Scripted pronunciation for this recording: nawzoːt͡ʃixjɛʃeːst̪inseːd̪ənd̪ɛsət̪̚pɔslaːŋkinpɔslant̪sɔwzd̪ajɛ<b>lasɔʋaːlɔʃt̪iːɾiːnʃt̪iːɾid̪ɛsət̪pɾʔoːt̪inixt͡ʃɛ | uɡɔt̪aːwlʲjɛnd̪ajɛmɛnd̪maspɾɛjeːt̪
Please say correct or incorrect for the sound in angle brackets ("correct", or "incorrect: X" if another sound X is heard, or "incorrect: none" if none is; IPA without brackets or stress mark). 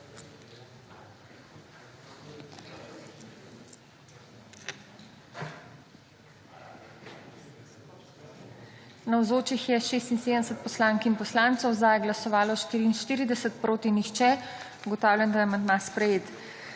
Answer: incorrect: ɡ